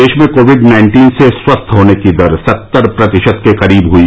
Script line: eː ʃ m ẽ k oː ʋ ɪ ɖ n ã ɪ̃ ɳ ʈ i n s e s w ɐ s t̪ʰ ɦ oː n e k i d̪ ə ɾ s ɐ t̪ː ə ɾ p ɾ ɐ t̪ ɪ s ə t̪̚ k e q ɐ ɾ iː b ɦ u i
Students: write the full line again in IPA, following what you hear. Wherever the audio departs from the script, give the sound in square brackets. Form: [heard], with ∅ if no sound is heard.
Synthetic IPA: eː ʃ m ẽ k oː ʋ ɪ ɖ n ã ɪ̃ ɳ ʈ [iː] n s e s w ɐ s t̪ʰ ɦ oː n e k i d̪ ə ɾ s ɐ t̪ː ə ɾ p ɾ ɐ t̪ ɪ [ʃ] ə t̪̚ k e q ɐ ɾ iː b ɦ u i